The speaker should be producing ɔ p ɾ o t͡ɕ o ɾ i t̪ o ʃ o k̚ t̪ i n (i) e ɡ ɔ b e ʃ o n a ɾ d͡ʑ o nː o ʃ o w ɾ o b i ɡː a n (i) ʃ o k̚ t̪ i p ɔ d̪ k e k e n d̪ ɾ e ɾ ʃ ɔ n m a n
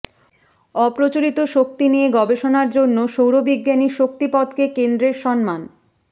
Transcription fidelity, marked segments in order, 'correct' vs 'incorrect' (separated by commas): correct, correct